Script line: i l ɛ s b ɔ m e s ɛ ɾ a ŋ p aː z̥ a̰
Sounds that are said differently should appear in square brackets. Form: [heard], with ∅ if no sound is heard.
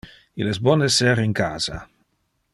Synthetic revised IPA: i l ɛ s b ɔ [n] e s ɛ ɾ [i] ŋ [k] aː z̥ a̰